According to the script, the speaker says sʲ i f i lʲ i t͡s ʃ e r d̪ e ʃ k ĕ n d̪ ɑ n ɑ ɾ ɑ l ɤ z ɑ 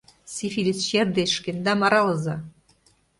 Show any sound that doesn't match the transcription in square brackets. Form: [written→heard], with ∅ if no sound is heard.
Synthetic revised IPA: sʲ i f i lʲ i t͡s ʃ e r d̪ e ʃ k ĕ n d̪ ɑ [n→m] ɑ ɾ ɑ l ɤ z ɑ